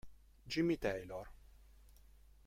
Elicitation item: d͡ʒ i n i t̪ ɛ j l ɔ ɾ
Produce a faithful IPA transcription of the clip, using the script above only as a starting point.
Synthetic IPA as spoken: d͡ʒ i m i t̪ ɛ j l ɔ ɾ